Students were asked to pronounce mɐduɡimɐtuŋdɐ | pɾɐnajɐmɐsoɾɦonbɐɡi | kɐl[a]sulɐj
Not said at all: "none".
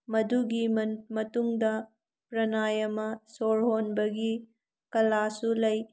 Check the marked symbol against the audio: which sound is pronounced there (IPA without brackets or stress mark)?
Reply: a